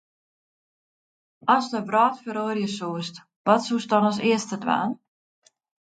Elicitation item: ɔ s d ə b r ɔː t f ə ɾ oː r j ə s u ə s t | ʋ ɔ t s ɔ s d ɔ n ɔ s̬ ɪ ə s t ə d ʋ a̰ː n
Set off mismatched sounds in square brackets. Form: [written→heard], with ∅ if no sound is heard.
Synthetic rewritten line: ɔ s d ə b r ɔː t f ə ɾ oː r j ə s u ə s t | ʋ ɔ t s [ɔ→u] s d ɔ n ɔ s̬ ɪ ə s t ə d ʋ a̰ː n